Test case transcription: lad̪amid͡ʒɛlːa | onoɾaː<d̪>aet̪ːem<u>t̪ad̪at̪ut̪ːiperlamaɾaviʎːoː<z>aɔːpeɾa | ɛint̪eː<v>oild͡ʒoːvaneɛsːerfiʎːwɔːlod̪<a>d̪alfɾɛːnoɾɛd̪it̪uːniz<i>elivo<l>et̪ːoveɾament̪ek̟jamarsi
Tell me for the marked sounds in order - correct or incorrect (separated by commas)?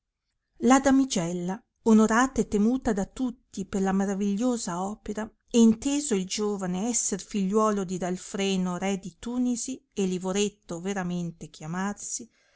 incorrect, incorrect, correct, incorrect, incorrect, correct, incorrect